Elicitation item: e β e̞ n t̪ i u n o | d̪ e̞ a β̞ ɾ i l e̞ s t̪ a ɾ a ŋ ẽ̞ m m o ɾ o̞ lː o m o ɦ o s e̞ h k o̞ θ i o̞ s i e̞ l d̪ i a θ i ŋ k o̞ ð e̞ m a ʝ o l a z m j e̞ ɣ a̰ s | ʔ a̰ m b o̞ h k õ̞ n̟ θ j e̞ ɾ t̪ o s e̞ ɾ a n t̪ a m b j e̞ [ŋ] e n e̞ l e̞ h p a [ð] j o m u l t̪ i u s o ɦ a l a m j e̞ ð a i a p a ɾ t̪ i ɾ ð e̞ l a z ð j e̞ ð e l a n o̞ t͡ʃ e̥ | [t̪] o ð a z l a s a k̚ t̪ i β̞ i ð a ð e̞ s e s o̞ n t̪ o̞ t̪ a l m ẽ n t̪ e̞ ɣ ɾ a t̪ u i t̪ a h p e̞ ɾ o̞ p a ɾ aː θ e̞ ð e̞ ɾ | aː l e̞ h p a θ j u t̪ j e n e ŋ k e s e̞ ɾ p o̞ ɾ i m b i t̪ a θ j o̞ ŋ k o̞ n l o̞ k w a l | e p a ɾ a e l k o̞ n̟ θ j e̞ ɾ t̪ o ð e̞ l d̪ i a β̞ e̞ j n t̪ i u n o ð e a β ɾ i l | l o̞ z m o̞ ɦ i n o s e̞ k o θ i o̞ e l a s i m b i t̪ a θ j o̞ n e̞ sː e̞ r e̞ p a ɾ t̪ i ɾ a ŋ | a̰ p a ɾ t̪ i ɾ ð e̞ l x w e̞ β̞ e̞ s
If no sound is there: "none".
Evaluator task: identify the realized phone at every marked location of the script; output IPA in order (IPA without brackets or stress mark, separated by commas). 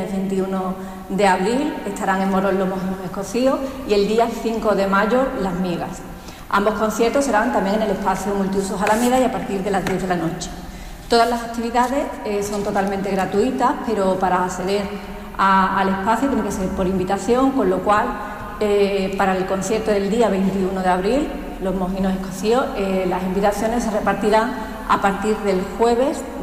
ŋ, θ, t̪